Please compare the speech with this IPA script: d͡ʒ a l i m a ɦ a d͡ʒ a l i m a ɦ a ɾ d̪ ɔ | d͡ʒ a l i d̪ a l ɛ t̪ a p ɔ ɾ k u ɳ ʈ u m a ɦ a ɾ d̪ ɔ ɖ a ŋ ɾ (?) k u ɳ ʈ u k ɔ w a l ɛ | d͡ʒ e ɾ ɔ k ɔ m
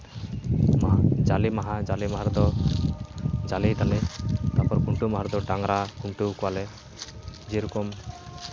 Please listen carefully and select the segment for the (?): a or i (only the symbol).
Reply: a